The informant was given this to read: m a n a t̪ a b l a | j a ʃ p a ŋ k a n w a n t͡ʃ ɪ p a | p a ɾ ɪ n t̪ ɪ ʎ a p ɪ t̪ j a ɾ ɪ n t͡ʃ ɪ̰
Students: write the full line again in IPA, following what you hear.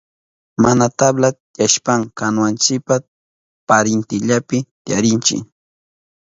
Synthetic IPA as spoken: m a n a t̪ a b l a | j a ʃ p a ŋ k a n w a n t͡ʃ ɪ p a | p a ɾ ɪ n t̪ ɪ ʎ a p ɪ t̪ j a ɾ ɪ n t͡ʃ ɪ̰